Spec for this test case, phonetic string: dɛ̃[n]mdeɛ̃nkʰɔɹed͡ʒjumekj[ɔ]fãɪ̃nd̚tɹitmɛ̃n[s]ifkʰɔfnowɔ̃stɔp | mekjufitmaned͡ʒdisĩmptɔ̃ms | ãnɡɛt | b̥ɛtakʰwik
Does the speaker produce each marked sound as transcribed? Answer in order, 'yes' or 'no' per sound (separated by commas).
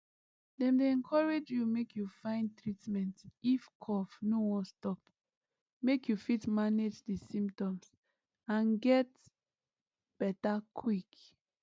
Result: no, no, no